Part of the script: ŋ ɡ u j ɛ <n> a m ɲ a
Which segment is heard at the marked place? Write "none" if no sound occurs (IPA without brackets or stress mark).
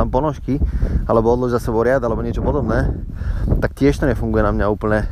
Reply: n